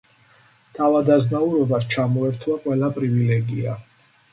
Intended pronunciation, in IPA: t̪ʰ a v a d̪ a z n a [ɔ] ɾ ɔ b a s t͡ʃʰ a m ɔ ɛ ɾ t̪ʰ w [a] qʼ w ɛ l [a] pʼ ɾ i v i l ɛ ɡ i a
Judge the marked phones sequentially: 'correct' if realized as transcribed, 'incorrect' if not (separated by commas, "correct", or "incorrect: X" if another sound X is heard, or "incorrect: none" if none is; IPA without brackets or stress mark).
incorrect: u, correct, correct